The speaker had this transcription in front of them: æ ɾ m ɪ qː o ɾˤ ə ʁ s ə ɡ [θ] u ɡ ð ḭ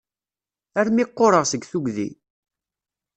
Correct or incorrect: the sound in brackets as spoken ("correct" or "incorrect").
correct